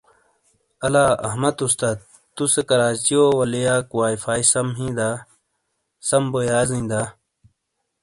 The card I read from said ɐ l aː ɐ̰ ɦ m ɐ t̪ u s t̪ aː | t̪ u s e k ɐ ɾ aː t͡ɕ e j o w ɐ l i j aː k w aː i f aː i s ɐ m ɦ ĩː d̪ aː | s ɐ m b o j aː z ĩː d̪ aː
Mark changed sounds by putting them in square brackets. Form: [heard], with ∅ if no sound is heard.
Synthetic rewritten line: ɐ l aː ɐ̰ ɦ m ɐ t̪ u s t̪ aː | t̪ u s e k ɐ ɾ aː t͡ɕ [i] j o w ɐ l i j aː k w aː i f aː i s ɐ m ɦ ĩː d̪ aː | s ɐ m b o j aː z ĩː d̪ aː